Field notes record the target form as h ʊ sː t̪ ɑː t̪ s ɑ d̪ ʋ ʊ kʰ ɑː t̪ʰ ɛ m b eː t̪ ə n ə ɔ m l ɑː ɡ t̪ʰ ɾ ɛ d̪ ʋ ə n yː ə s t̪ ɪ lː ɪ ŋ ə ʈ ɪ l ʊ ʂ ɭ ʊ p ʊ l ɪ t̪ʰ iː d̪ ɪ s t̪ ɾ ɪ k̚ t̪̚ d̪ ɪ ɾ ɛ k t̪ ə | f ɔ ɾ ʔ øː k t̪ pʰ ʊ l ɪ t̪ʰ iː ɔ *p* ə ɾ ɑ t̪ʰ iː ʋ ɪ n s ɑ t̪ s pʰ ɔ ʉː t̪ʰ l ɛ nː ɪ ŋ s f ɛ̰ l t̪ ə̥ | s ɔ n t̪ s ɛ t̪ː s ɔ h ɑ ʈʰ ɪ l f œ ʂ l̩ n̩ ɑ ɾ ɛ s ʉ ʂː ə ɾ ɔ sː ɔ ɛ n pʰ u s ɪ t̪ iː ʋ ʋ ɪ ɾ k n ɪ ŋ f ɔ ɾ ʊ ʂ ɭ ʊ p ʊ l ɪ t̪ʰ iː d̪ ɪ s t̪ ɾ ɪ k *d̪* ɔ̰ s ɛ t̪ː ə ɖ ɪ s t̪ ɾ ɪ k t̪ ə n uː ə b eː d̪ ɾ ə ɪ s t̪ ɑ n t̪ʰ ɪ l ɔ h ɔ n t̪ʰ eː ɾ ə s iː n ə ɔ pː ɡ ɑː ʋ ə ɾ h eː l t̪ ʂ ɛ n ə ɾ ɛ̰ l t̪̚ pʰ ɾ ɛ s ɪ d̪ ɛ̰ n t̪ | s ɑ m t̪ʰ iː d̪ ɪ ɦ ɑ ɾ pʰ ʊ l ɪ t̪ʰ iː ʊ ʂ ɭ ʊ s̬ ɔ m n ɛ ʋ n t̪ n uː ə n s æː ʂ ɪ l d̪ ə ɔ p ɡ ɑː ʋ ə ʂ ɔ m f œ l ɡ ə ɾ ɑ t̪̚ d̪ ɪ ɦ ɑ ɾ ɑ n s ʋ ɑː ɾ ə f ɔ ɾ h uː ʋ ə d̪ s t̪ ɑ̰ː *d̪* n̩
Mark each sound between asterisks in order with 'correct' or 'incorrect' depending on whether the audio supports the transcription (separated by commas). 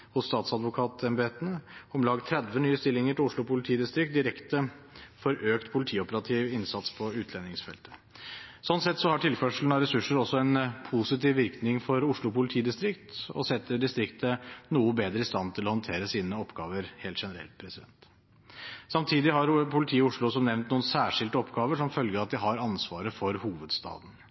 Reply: correct, incorrect, correct